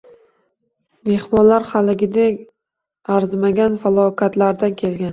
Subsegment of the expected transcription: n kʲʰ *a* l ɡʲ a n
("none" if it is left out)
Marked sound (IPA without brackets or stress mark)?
e